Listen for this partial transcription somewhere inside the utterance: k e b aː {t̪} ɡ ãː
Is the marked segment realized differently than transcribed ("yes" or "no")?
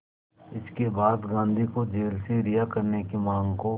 yes